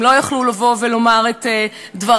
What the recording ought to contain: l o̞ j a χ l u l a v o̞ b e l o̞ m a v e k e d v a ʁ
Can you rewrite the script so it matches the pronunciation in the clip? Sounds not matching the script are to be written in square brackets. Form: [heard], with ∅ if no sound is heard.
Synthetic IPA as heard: l o̞ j a χ l u l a v o̞ [v] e l o̞ m a [ʁ] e [t] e d v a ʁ